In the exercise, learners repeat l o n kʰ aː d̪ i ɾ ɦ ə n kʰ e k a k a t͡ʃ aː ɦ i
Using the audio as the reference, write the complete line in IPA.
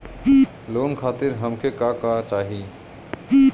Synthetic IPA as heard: l o n kʰ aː t̪ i ɾ ɦ ə m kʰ e k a k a t͡ʃ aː ɦ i